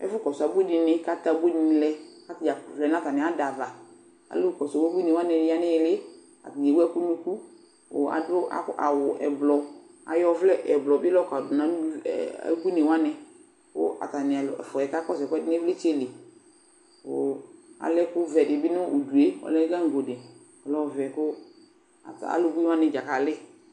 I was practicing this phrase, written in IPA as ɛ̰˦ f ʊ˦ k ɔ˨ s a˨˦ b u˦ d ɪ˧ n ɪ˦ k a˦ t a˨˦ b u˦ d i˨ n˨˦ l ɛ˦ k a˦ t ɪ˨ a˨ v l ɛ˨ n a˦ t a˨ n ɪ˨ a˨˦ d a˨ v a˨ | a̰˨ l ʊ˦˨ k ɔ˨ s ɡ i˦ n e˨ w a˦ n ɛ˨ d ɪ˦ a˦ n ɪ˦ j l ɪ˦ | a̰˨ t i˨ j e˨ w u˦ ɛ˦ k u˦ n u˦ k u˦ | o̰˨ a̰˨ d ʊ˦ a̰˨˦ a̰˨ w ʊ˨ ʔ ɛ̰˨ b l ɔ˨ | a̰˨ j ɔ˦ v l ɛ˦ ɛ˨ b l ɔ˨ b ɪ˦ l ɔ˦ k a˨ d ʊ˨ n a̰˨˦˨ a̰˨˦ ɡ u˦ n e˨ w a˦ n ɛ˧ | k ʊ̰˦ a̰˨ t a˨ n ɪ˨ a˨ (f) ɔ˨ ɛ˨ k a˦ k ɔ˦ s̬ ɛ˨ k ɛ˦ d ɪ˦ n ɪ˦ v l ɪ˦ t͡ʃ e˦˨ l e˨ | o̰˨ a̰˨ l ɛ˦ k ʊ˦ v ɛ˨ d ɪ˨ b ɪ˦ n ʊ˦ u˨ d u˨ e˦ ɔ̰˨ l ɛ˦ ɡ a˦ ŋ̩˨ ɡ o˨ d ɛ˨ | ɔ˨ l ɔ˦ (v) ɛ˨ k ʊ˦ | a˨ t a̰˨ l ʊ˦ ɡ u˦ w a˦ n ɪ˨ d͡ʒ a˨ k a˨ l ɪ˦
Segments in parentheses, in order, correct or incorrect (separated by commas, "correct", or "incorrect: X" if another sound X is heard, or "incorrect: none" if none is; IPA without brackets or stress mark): correct, correct